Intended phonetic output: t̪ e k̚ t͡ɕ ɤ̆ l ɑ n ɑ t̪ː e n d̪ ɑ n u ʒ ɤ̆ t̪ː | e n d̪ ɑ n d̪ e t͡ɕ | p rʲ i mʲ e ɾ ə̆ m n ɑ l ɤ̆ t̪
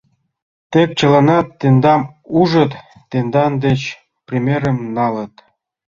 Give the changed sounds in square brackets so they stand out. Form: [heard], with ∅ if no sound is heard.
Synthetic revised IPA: t̪ e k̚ t͡ɕ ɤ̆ l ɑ n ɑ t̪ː e n d̪ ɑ [m] u ʒ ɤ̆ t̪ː | e n d̪ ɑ n d̪ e t͡ɕ | p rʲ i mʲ e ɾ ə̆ m n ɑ l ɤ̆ t̪